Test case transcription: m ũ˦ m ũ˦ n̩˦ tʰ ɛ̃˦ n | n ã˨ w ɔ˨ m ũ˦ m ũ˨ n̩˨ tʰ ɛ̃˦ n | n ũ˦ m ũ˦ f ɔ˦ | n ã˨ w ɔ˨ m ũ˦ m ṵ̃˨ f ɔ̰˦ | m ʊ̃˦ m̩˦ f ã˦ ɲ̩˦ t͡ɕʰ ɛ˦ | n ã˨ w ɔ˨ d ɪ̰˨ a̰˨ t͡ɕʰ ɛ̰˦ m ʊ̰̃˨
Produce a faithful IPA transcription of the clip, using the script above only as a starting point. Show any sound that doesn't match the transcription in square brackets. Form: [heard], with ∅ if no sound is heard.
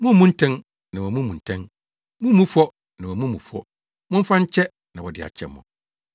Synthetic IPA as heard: m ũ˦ m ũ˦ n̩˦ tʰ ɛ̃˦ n | n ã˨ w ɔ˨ m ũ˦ m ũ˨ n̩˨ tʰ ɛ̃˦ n | [m] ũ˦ m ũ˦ f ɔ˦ | n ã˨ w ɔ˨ m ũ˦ m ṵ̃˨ f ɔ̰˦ | m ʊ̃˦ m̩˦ f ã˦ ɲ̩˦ t͡ɕʰ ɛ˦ | n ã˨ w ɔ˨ d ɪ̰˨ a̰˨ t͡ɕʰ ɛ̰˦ m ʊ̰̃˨